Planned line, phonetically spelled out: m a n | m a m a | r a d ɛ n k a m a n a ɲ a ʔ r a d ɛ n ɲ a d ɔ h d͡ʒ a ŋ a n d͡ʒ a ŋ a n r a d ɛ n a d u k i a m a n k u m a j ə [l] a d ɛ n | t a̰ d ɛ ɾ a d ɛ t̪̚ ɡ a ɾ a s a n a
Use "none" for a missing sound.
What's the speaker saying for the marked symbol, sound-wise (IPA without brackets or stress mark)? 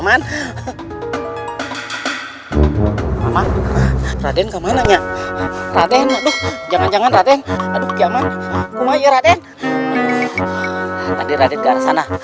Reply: ɾ